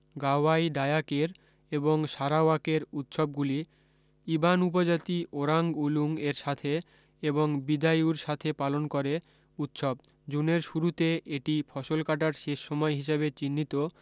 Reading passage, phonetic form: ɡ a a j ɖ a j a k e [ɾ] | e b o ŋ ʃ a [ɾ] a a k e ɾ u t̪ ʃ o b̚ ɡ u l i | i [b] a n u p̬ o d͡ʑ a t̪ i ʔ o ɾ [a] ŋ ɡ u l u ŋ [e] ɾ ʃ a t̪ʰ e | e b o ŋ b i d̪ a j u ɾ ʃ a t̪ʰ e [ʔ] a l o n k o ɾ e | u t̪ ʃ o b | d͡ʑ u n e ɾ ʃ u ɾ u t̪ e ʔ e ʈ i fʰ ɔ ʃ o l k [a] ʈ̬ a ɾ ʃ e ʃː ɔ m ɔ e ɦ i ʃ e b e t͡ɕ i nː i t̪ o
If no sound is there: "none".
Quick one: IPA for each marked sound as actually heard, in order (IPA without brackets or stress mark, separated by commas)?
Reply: ɾ, ɾ, b, a, e, p, a